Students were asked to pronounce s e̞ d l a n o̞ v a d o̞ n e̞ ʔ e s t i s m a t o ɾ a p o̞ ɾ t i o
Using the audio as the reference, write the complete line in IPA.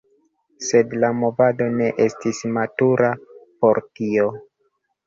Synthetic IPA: s e̞ d l a m o̞ v a d o̞ n e̞ ʔ e s t i s m a t u ɾ a p o̞ ɾ t i o